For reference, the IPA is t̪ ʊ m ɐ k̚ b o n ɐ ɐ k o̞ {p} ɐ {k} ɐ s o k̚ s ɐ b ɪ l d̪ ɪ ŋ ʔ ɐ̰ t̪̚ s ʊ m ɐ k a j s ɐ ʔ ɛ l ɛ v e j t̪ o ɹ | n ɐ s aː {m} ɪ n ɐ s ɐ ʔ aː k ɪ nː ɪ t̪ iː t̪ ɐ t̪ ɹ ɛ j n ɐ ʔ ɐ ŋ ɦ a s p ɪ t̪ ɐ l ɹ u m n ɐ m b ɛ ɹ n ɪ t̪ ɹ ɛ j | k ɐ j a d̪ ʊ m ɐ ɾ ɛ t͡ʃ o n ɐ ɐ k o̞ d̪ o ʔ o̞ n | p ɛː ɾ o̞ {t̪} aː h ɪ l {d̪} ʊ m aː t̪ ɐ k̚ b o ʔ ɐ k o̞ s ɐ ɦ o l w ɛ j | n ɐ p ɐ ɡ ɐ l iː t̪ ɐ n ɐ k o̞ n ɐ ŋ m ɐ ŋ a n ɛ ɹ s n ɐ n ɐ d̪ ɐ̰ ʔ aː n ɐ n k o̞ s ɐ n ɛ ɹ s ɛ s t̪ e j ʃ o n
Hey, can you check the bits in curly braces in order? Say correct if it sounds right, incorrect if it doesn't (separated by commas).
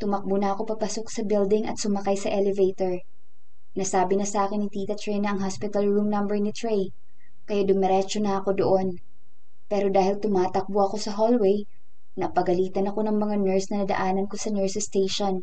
correct, incorrect, incorrect, incorrect, incorrect